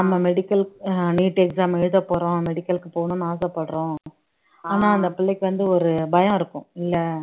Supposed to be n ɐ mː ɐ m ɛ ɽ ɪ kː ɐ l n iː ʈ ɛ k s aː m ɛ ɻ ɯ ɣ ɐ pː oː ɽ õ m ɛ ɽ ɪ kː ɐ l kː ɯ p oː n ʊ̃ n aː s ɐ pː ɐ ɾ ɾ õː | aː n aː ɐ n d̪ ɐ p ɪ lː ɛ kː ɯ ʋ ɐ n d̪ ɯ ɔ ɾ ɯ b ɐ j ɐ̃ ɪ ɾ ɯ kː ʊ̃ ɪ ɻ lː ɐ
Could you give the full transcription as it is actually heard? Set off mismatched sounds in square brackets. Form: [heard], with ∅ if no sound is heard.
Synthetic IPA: n ɐ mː ɐ m ɛ ɽ ɪ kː ɐ l n iː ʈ ɛ k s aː m ɛ ɻ ɯ [ð] ɐ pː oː [ɾ] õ m ɛ ɽ ɪ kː ɐ l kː ɯ p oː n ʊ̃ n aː s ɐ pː ɐ [ɽ] ɾ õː | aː n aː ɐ n d̪ ɐ p ɪ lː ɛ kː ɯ ʋ ɐ n d̪ ɯ ɔ ɾ ɯ b ɐ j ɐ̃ ɪ ɾ ɯ kː ʊ̃ ɪ [∅] lː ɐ

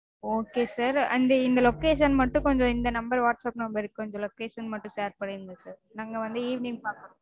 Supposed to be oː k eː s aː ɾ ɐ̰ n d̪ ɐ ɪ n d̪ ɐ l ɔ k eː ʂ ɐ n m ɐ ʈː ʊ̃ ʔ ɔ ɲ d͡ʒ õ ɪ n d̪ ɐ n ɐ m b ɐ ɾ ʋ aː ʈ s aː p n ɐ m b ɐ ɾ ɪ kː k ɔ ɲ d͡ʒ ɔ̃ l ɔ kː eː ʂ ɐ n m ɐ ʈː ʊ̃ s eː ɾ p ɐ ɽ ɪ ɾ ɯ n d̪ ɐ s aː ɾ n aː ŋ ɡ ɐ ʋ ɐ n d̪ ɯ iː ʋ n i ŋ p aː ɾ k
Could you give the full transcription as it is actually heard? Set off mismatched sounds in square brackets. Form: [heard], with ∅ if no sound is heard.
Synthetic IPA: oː k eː s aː ɾ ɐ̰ n d̪ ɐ ɪ n d̪ ɐ l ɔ k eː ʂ ɐ n m ɐ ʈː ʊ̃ [k] ɔ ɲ d͡ʒ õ ɪ n d̪ ɐ n ɐ m b ɐ ɾ ʋ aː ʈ s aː p n ɐ m b ɐ ɾ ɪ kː k ɔ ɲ d͡ʒ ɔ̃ l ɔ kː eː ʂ ɐ n m ɐ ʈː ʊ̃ s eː ɾ p ɐ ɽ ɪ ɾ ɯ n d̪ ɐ s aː ɾ n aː ŋ ɡ ɐ ʋ ɐ n d̪ ɯ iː ʋ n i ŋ p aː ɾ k

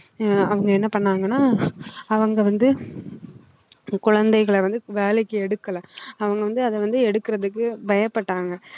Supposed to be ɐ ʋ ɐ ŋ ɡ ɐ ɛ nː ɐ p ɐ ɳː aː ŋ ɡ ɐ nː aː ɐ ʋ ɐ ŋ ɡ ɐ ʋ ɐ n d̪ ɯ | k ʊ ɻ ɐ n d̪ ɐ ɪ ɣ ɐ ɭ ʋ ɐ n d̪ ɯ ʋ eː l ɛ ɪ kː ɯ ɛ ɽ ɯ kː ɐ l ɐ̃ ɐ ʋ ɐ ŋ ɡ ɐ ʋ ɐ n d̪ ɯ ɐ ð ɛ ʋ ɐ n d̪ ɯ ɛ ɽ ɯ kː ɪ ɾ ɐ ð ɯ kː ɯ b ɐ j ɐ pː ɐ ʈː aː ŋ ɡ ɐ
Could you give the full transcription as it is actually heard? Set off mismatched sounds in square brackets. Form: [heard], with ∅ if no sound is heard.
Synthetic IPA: ɐ ʋ ɐ ŋ ɡ ɐ ɛ nː ɐ p ɐ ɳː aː ŋ ɡ ɐ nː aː ɐ ʋ ɐ ŋ ɡ ɐ ʋ ɐ n d̪ ɯ | k ʊ ɻ ɐ n d̪ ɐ ɪ ɣ ɐ ɭ ʋ ɐ n d̪ ɯ ʋ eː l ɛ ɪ kː ɯ ɛ ɽ ɯ kː ɐ l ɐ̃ ɐ ʋ ɐ ŋ ɡ ɐ ʋ ɐ n d̪ ɯ ɐ ð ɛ ʋ ɐ n d̪ ɯ ɛ ɽ ɯ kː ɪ ɾ ɐ ð ɯ kː ɯ b ɐ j ɐ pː ɐ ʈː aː ŋ ɡ ɐ

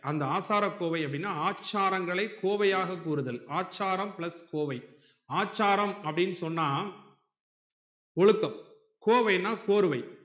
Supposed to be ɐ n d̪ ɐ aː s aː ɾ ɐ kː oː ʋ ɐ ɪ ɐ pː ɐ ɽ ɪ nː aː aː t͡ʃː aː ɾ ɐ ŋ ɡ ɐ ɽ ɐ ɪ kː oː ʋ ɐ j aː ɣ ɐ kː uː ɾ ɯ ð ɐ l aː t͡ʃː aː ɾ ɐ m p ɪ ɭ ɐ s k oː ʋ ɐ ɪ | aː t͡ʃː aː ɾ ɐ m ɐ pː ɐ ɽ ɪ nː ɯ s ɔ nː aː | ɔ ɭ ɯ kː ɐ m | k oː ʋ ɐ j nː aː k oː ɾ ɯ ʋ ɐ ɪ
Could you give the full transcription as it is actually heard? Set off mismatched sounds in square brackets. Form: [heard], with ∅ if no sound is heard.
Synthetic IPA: ɐ n d̪ ɐ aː s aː ɾ ɐ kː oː ʋ ɐ ɪ ɐ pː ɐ ɽ ɪ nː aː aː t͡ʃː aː ɾ ɐ ŋ ɡ ɐ [ɭ] ɐ ɪ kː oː ʋ ɐ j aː ɣ ɐ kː uː ɾ ɯ ð ɐ l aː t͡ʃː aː ɾ ɐ m p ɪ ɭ ɐ s k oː ʋ ɐ ɪ | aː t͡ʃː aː ɾ ɐ m ɐ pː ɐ ɽ ɪ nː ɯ s ɔ nː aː | ɔ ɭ ɯ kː ɐ m | k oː ʋ ɐ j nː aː k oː ɾ ɯ ʋ ɐ ɪ

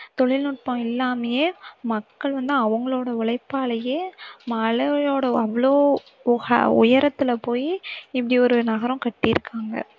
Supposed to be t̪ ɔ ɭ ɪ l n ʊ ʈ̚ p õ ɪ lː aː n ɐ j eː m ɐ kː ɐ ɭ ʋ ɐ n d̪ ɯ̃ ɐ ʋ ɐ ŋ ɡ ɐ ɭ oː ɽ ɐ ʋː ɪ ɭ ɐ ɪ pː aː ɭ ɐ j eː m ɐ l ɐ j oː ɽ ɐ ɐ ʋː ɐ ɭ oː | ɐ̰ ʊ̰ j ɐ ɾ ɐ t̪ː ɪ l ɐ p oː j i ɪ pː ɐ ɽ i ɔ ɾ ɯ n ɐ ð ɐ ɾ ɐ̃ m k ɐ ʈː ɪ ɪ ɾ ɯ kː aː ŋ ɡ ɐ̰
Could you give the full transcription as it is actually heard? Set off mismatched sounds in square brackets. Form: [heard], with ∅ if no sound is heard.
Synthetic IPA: t̪ ɔ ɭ ɪ l n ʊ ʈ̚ p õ ɪ lː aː [m] ɐ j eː m ɐ kː ɐ ɭ ʋ ɐ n d̪ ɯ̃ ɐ ʋ ɐ ŋ ɡ ɐ ɭ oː ɽ ɐ [ʋ] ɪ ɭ ɐ ɪ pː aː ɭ ɐ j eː m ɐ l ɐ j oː ɽ ɐ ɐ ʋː ɐ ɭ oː | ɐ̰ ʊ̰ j ɐ ɾ ɐ t̪ː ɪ l ɐ p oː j i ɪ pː ɐ ɽ i ɔ ɾ ɯ n ɐ [ɣ] ɐ ɾ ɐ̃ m k ɐ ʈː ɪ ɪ ɾ ɯ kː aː ŋ ɡ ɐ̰

